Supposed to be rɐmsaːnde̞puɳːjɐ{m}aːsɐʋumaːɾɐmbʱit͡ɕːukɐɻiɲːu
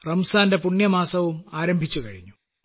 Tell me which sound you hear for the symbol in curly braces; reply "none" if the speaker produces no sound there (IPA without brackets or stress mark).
m